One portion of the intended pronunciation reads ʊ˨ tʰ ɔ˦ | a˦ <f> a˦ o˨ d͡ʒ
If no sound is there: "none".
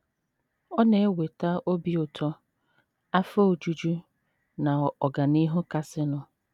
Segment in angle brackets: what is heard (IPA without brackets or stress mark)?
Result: f